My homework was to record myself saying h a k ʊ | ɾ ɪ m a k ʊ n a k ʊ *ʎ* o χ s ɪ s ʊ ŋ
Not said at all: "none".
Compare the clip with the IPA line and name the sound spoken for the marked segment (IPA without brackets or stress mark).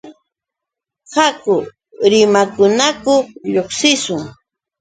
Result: ʎ